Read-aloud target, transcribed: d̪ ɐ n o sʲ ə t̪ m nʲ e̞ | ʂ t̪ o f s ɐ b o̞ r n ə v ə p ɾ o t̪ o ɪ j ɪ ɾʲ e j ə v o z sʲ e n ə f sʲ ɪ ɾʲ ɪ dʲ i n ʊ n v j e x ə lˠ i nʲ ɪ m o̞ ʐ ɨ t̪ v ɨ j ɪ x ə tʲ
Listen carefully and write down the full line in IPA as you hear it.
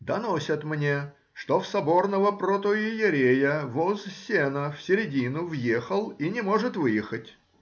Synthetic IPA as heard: d̪ ɐ n o sʲ ə t̪ m nʲ e̞ | ʂ t̪ o f s ɐ b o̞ r n ə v ə p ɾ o t̪ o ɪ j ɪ ɾʲ e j ə v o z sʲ e n ə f sʲ ɪ ɾʲ ɪ dʲ i n ʊ v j e x ə lˠ i nʲ ɪ m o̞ ʐ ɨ t̪ v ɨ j ɪ x ə tʲ

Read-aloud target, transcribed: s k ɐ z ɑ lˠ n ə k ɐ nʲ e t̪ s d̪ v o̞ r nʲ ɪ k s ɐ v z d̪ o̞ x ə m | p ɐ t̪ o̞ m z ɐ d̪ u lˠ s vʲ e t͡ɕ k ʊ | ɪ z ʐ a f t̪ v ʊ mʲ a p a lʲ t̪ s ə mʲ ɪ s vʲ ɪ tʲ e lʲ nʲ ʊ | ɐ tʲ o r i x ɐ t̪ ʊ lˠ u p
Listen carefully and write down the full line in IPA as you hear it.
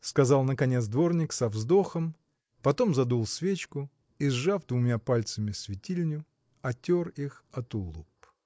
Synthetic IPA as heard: s k ɐ z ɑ lˠ n ə k ɐ nʲ e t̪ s d̪ v o̞ r nʲ ɪ k s ɐ v z d̪ o̞ x ə m | p ɐ t̪ o̞ m z ɐ d̪ u lˠ s vʲ e t͡ɕ k ʊ | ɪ z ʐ a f d̪ v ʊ mʲ a p a lʲ t̪ s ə mʲ ɪ s vʲ ɪ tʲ i lʲ nʲ ʊ | ɐ tʲ o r i x ɐ t̪ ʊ lˠ u p

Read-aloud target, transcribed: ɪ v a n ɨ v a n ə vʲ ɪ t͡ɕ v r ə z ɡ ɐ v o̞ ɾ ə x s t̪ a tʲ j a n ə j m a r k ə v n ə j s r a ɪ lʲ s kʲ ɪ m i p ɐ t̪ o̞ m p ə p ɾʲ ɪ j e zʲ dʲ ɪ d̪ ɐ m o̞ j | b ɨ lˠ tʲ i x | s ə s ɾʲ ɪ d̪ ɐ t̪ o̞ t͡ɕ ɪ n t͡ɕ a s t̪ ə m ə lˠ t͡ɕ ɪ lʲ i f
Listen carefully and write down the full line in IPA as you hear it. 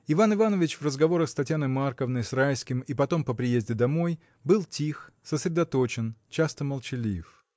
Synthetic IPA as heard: ɪ v a n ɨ v a n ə vʲ ɪ t͡ɕ v r ə z ɡ ɐ v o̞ ɾ ə x s t̪ ɐ tʲ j a n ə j m a r k ə v n ə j s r a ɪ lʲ s kʲ ɪ m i p ɐ t̪ o̞ m p ə p ɾʲ ɪ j e zʲ dʲ ɪ d̪ ɐ m o̞ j | b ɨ lˠ tʲ i x | s ə s ɾʲ ɪ d̪ ɐ t̪ o̞ t͡ɕ ɪ n t͡ɕ a s t̪ ə m ə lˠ t͡ɕ ɪ lʲ i f

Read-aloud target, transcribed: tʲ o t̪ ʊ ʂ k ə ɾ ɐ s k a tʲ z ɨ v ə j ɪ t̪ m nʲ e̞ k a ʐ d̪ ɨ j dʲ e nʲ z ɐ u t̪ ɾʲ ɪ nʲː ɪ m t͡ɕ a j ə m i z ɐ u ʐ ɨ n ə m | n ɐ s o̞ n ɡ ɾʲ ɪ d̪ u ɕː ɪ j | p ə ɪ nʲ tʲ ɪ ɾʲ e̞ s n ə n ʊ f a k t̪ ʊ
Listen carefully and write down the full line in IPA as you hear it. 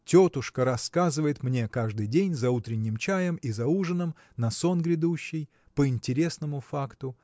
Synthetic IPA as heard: tʲ o t̪ ʊ ʂ k ə ɾ ɐ s k a z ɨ v ə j ɪ t̪ m nʲ e̞ k a ʐ d̪ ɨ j dʲ e nʲ z ɐ u t̪ ɾʲ ɪ nʲː ɪ m t͡ɕ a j ə m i z ɐ u ʐ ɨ n ə m | n ɐ s o̞ n ɡ ɾʲ ɪ d̪ u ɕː ɪ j | p ə ɪ nʲ tʲ ɪ ɾʲ e̞ s n ə m ʊ f a k t̪ ʊ

